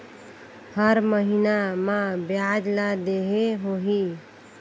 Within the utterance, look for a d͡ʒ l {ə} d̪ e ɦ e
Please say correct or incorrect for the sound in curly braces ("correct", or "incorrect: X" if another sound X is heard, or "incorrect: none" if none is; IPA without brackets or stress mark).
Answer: incorrect: a